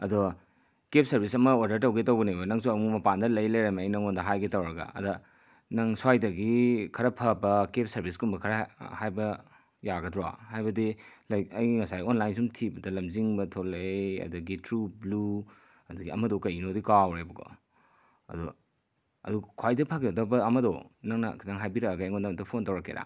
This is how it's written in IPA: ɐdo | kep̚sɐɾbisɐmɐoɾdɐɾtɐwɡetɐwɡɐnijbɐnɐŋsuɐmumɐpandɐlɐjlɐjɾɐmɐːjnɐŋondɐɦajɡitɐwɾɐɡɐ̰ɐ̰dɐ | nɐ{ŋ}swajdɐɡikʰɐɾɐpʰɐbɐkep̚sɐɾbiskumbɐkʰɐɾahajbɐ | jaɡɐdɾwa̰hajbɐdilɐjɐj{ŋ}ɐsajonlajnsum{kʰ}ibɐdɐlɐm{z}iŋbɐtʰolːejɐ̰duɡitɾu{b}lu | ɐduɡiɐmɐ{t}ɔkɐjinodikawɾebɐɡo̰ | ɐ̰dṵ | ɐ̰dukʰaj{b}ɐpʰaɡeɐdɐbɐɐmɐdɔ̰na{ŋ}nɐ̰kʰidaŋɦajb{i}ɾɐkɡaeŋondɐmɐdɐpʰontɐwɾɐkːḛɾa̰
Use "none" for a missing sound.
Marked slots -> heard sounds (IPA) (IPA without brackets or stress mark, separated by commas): ŋ, ŋ, tʰ, z, b, d, d, ŋ, i